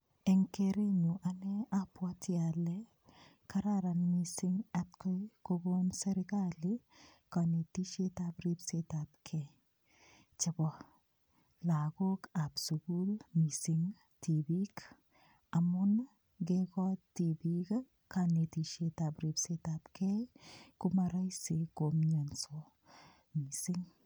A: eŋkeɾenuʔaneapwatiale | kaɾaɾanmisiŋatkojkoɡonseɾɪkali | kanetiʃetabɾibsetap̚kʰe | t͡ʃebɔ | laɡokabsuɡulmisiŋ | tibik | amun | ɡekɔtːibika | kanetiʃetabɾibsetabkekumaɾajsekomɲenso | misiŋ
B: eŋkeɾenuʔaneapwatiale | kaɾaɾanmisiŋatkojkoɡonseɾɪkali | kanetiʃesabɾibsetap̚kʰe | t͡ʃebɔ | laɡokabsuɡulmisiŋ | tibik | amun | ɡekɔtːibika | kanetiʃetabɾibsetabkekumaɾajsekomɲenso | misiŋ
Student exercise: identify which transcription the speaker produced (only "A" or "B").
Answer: A